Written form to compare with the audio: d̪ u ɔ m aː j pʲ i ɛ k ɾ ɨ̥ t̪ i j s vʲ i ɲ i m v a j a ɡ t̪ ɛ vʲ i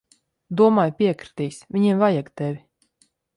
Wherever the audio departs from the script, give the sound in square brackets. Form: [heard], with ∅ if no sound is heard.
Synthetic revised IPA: d̪ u ɔ m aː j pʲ i ɛ k ɾ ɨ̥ t̪ i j s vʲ i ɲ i m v a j a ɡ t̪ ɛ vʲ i